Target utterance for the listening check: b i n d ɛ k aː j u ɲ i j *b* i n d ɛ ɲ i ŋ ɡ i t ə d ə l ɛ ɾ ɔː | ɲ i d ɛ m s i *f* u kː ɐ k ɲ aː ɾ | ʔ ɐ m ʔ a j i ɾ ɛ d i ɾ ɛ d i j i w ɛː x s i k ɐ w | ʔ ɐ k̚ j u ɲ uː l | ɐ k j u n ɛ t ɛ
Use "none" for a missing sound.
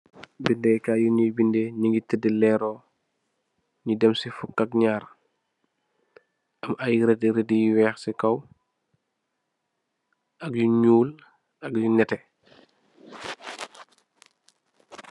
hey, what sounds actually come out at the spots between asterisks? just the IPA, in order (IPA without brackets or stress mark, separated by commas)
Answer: b, f